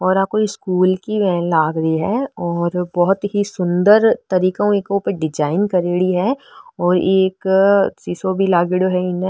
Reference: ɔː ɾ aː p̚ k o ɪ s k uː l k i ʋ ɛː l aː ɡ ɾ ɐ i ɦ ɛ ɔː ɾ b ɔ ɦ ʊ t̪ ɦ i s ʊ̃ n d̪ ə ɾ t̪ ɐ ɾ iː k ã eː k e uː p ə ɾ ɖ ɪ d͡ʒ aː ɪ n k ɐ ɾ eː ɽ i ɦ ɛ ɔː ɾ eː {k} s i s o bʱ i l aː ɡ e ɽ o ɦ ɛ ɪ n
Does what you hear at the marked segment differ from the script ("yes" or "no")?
no